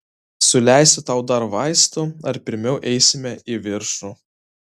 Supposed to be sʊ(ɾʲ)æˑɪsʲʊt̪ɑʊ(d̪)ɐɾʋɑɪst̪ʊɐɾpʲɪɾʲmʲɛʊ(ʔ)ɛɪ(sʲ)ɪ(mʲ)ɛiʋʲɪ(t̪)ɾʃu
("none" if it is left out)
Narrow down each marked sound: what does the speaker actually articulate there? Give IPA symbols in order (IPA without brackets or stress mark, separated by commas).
lʲ, d̪, ʔ, sʲ, mʲ, none